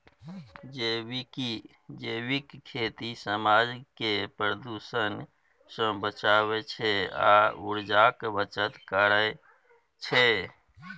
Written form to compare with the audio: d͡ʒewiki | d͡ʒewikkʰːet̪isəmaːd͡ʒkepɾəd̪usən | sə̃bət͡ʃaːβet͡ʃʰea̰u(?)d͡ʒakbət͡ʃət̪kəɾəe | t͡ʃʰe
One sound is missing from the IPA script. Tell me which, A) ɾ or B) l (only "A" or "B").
A